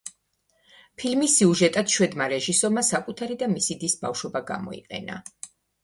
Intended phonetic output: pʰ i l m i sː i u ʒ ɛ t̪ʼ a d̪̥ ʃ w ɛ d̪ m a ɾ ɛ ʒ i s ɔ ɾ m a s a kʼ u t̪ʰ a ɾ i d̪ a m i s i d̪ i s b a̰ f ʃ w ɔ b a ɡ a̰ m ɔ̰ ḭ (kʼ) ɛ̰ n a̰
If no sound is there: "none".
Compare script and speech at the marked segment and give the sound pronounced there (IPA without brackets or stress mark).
qʼ